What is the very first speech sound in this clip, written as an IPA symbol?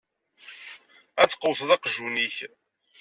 æ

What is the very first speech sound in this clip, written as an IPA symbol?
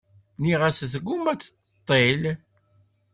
n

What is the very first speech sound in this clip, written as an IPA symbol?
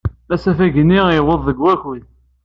æ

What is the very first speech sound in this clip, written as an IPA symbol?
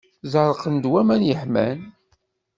z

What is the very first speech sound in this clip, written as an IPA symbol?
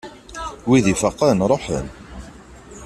w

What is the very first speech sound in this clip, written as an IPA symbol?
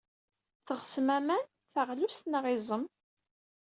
θ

